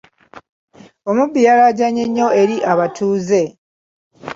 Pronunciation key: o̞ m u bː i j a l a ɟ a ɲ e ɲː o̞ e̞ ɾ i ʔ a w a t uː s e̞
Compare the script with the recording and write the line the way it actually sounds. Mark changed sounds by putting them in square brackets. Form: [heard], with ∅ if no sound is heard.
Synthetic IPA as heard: o̞ m u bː i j a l a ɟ a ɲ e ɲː o̞ e̞ ɾ i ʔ a [β] a t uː [z] e̞